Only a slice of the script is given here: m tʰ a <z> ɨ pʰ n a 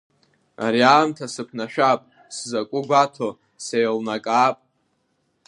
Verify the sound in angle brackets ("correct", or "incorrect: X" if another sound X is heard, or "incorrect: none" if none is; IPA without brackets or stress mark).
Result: incorrect: s